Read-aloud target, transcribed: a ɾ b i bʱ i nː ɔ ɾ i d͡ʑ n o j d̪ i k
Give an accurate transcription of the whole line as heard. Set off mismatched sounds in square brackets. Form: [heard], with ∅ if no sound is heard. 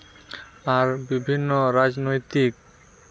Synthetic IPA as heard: a ɾ b i bʱ i nː [o] ɾ [a] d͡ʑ n o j [t̪] i k